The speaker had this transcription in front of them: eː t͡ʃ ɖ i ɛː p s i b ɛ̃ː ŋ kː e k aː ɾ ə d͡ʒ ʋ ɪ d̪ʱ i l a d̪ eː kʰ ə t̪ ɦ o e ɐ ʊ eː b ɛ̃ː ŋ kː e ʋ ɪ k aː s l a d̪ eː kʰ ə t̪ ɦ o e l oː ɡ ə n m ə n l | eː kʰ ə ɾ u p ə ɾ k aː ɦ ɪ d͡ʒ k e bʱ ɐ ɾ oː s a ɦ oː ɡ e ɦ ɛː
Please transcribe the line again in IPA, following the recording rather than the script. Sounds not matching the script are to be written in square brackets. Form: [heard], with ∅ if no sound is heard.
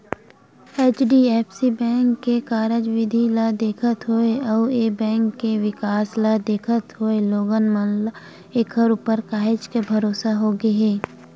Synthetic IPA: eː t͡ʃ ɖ i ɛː p s i b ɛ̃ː ŋ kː e k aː ɾ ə d͡ʒ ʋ ɪ d̪ʱ i l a d̪ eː kʰ ə t̪ ɦ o e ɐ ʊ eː b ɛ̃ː ŋ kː e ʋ ɪ k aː s l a d̪ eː kʰ ə t̪ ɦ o e l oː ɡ ə n m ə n l | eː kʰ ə ɾ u p ə ɾ k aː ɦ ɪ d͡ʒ k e bʱ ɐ ɾ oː s a ɦ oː ɡ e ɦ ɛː